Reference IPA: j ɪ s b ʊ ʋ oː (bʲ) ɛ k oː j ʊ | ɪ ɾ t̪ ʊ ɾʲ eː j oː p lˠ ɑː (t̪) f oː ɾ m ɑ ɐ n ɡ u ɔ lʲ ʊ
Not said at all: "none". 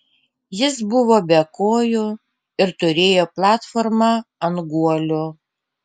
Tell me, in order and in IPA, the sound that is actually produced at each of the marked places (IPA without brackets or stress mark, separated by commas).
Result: bʲ, t̪